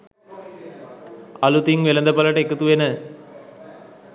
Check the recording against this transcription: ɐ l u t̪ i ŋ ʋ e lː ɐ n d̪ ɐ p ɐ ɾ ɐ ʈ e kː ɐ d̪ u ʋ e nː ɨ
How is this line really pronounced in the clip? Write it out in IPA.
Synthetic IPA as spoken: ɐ l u t̪ i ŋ ʋ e l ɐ n d̪ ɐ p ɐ l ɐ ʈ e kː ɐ t̪ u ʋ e n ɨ

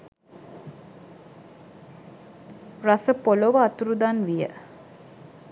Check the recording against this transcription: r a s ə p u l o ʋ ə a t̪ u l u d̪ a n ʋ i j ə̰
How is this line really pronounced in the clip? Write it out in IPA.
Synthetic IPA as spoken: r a s ə p o l o ʋ ə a t̪ u ɾ u d̪ a n ʋ i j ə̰

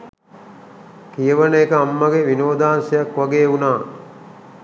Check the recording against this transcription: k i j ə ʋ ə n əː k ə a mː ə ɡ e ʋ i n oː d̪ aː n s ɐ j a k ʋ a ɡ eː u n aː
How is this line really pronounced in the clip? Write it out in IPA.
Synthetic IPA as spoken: k i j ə ʋ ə n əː k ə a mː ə ɡ e ʋ i n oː d̪ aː n s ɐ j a k ʋ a ɡ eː u n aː

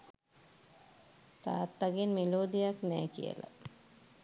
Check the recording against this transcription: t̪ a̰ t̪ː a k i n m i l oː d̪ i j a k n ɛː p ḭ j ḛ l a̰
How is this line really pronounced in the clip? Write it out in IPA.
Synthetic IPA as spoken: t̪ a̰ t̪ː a ɡ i n m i l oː d̪ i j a k n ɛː k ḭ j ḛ l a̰

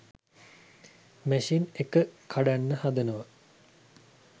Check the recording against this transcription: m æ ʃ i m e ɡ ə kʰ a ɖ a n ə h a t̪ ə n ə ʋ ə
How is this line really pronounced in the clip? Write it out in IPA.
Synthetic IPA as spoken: m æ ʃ i n e k ə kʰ a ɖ a nː ə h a d̪ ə n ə ʋ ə

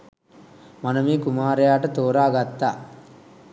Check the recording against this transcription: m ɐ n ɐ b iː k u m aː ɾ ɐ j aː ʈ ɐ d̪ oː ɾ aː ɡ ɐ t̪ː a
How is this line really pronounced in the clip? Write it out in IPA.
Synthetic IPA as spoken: m ɐ n ɐ m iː k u m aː ɾ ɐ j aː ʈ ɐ t̪ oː ɾ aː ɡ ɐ t̪ː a

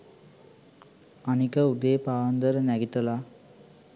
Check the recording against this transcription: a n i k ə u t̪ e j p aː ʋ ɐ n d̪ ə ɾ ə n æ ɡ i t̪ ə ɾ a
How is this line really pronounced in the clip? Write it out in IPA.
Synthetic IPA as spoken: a n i k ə u d̪ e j p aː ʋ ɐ n d̪ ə ɾ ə n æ ɡ i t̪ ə l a

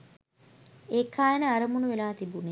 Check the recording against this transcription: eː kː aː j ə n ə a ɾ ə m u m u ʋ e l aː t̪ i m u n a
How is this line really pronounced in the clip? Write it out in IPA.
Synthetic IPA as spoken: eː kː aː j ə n ə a ɾ ə m u n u ʋ e l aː t̪ i b u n e

